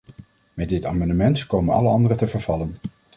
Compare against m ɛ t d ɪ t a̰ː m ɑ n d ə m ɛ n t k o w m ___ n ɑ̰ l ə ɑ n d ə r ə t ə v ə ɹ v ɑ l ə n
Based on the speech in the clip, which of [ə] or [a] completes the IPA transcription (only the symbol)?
ə